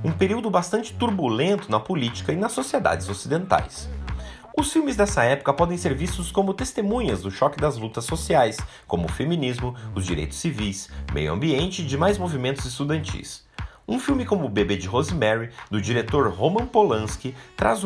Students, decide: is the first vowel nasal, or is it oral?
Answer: nasal